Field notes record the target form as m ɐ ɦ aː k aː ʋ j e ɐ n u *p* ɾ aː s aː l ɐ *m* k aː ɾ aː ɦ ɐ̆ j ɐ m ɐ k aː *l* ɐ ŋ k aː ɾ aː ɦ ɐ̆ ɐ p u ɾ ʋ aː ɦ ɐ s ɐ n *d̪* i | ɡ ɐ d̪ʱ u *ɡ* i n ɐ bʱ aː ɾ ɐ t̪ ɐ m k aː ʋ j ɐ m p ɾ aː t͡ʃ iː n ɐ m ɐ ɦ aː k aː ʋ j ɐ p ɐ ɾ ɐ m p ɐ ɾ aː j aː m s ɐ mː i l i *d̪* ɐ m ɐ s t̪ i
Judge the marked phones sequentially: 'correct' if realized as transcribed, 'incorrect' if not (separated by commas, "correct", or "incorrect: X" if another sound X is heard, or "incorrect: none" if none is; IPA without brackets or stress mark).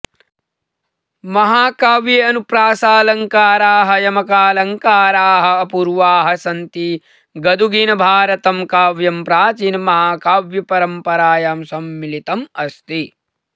correct, incorrect: ŋ, correct, incorrect: t̪, correct, incorrect: t̪